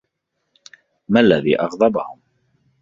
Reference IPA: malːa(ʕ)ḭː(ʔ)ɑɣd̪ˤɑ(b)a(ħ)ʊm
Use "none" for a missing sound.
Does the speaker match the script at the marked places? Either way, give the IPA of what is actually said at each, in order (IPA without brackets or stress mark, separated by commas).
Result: ð, ʔ, b, h